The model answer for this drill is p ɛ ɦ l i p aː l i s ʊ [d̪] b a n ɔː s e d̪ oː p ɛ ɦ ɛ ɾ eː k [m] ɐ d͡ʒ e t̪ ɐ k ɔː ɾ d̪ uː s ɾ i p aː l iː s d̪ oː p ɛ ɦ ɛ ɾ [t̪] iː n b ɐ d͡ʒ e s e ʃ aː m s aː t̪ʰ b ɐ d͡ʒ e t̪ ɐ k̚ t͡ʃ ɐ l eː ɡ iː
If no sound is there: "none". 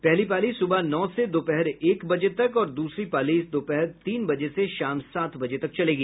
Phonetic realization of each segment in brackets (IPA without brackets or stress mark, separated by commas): none, b, t̪